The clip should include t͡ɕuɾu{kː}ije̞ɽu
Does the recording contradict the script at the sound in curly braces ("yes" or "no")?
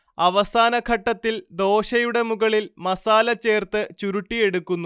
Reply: yes